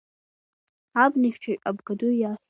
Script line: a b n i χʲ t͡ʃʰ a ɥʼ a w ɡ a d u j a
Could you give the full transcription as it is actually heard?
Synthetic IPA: a b n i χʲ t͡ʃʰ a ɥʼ a b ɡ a d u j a